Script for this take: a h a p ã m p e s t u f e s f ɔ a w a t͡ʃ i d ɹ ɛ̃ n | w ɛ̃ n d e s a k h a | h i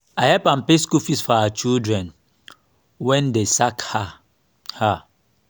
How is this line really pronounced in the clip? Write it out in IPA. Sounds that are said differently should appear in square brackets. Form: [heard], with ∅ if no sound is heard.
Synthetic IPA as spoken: a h [ɛ] p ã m p e s [k] u f [i] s f ɔ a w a t͡ʃ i d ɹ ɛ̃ n | w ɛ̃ n d e s a k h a | h [a]

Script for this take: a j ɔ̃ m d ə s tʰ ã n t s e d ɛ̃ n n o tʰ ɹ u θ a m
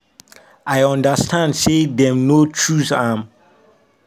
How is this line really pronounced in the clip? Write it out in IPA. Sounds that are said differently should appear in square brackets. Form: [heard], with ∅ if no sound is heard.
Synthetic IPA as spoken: a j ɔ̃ [n] d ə s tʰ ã n [d] s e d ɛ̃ [m] n o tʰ ɹ u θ a m

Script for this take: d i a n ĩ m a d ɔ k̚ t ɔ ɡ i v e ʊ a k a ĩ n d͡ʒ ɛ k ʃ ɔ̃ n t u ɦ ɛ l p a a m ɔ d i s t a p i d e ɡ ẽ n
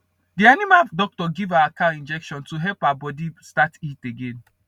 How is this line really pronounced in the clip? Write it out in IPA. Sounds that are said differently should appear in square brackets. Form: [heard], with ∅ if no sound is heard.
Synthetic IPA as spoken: d i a n [i] m a d ɔ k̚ t ɔ ɡ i v [a] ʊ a k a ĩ n d͡ʒ ɛ k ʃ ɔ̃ n t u ɦ ɛ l p a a [b] ɔ d i s t a [t] i [t] e ɡ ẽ n

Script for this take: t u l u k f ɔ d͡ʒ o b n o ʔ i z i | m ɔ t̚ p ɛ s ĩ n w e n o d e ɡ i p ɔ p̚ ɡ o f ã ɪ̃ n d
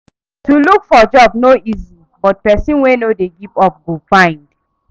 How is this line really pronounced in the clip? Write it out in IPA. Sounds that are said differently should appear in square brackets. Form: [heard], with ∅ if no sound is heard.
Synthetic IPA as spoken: t u l u k f ɔ d͡ʒ [ɔ] b n o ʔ i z i | [b] ɔ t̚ p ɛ s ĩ n w e n o d e ɡ i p ɔ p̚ ɡ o f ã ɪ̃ n d

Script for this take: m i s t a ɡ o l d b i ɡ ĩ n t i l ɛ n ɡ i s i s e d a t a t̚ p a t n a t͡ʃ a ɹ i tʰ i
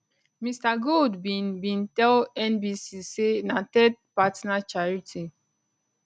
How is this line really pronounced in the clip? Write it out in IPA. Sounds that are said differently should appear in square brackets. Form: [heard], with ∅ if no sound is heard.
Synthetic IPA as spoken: m i s t a ɡ o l d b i [b] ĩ n t [ɛ] l ɛ n [b] i s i s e [n] a t [ɛ] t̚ p a t n a t͡ʃ a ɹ i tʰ i

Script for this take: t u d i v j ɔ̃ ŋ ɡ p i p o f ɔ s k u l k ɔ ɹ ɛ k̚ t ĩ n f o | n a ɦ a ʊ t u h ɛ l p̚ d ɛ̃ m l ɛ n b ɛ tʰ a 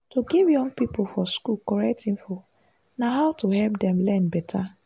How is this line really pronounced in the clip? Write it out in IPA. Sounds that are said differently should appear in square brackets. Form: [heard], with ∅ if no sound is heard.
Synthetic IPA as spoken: t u [ɡ] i v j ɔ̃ ŋ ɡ p i p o f ɔ s k u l k ɔ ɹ ɛ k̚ t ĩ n f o | n a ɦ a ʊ t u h ɛ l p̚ d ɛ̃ m l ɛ n b ɛ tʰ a

